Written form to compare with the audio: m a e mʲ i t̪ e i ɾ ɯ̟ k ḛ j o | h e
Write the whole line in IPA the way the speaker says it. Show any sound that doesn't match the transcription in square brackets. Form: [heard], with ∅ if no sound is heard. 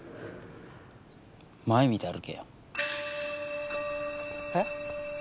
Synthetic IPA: m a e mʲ i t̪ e [a] ɾ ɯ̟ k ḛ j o | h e